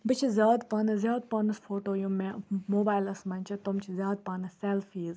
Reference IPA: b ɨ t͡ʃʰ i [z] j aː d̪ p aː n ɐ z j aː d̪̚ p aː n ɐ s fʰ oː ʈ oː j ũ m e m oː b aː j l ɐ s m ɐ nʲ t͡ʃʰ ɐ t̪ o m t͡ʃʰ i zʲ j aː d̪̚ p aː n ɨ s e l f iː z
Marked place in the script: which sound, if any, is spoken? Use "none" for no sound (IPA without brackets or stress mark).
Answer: z